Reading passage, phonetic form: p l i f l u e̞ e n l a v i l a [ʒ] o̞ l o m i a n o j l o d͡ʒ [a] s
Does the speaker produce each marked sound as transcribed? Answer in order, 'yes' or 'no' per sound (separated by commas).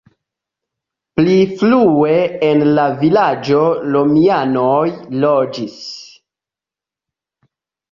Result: no, no